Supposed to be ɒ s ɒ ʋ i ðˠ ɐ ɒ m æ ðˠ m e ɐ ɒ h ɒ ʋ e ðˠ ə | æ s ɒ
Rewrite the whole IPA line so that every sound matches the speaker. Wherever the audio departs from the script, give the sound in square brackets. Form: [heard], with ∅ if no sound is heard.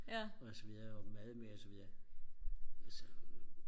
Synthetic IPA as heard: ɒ s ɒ ʋ i ðˠ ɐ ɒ m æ ðˠ m e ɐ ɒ [s] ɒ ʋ [i] ðˠ [ɐ] | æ s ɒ